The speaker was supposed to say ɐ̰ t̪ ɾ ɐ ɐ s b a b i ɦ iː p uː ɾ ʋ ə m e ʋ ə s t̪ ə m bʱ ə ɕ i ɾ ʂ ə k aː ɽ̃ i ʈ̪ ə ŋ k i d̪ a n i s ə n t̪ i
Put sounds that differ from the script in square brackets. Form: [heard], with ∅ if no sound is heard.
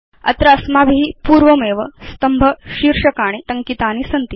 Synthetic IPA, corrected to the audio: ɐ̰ t̪ ɾ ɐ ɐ s [m] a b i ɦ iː p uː ɾ ʋ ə m e ʋ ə s t̪ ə m bʱ ə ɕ i ɾ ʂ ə k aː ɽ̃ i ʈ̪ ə ŋ k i [t̪] a n i s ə n t̪ i